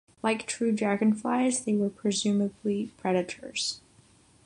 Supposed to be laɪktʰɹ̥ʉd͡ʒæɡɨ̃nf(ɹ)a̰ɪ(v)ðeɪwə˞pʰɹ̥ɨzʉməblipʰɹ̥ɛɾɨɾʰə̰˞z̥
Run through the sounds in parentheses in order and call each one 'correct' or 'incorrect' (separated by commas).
incorrect, incorrect